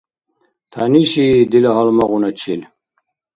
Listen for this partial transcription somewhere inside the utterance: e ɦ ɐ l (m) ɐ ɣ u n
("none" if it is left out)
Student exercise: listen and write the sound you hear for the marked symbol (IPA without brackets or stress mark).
m